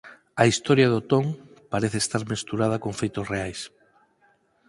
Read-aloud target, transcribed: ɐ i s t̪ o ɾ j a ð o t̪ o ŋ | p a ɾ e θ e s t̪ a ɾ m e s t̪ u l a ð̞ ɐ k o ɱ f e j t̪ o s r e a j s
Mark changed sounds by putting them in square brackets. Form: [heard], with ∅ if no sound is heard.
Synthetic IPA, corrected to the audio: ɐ i s t̪ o ɾ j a ð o t̪ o ŋ | p a ɾ e θ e s t̪ a ɾ m e s t̪ u [ɾ] a ð̞ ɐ k o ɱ f e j t̪ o s r e a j s